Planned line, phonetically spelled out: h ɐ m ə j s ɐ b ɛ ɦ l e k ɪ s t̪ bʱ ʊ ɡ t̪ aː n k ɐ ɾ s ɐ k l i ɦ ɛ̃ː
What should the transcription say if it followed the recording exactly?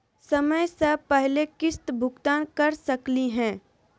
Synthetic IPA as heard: s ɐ m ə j s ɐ p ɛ ɦ l e k ɪ s t̪ bʱ ʊ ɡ t̪ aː n k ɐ ɾ s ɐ k l i ɦ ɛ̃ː